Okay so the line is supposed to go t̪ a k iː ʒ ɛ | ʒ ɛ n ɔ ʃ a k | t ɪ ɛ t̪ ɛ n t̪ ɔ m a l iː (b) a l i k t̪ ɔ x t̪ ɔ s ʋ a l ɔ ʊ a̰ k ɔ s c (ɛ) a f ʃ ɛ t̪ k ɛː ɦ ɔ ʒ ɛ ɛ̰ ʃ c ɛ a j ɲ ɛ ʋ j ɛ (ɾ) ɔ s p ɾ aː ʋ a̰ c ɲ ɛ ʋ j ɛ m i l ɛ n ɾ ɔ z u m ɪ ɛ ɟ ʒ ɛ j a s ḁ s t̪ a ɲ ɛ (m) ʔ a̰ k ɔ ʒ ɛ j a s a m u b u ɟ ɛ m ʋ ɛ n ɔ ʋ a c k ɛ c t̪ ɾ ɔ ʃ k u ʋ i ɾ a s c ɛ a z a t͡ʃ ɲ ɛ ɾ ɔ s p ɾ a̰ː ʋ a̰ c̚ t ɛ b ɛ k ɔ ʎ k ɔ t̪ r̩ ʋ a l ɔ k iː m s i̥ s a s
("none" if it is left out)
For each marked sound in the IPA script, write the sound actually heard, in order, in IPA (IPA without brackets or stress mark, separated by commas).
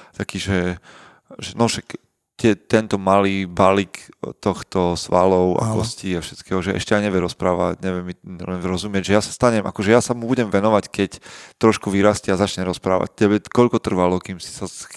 b, i, ɾ, m